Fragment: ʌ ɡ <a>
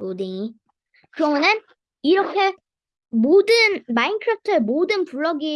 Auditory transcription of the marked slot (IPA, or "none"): i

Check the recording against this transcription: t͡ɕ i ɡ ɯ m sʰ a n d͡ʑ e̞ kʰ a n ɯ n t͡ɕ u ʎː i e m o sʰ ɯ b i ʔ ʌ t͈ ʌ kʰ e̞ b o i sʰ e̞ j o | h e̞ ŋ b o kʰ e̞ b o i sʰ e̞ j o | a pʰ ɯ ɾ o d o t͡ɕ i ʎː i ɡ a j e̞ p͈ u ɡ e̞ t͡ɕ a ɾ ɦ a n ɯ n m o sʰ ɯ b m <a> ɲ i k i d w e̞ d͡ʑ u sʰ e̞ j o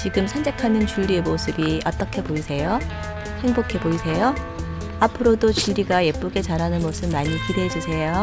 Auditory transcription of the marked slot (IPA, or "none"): a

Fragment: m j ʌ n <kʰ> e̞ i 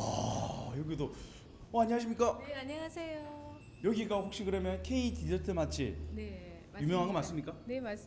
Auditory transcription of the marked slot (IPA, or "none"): kʰ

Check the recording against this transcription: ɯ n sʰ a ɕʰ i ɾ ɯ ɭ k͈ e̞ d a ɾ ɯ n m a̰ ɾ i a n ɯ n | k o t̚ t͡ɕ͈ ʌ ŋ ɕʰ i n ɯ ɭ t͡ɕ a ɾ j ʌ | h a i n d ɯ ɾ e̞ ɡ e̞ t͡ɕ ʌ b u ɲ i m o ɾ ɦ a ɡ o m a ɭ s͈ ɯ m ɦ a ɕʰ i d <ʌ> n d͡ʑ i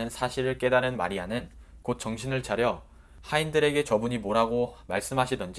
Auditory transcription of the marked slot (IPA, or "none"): ʌ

